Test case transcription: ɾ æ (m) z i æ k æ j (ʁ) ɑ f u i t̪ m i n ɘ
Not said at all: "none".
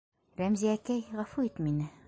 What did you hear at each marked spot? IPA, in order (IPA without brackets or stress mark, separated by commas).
m, ʁ